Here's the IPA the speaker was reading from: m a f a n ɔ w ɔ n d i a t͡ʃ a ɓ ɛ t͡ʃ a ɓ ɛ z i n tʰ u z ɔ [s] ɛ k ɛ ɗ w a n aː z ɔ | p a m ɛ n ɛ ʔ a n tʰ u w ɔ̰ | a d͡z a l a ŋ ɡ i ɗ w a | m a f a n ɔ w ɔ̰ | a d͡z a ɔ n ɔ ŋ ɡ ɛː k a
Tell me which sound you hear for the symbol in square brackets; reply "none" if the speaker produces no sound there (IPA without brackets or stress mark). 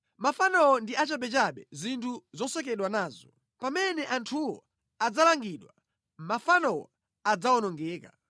s